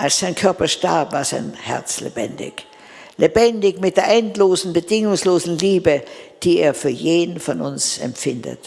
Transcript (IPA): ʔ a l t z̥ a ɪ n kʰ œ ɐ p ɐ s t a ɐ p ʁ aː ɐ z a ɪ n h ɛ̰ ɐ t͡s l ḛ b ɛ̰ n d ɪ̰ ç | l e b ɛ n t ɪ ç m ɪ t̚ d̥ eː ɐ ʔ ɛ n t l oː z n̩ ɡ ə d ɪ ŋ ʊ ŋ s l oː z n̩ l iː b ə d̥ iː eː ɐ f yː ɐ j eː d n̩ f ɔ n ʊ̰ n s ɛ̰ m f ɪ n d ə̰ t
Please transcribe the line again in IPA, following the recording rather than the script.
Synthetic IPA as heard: ʔ a l s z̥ a ɪ n kʰ œ ɐ p ɐ ʃ t a ɐ p v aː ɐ z a ɪ n h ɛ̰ ɐ t͡s l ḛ b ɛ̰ n d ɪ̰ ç | l e b ɛ n d ɪ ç m ɪ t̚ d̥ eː ɐ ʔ ɛ n t l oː z n̩ b ə d ɪ ŋ ʊ ŋ s l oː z n̩ l iː b ə d̥ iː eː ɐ f yː ɐ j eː d n̩ f ɔ n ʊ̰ n s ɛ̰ m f ɪ n d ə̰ t